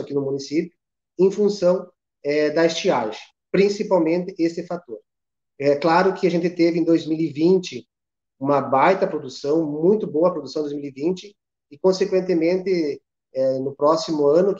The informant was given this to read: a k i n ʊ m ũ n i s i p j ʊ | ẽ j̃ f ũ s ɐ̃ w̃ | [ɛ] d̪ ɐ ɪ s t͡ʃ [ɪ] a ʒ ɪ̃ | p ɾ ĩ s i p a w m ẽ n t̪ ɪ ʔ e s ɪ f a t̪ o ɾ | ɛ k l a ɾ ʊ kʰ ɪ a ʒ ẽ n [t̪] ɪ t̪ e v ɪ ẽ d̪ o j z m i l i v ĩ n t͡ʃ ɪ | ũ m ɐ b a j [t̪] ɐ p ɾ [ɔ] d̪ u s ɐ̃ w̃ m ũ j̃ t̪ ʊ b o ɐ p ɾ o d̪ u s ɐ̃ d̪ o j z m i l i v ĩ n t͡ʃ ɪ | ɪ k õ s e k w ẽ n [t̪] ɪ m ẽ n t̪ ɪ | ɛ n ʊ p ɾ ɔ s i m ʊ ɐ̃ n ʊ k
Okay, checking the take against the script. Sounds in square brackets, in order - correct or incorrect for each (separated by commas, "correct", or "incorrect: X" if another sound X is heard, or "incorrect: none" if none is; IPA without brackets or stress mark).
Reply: correct, incorrect: i, correct, correct, incorrect: o, correct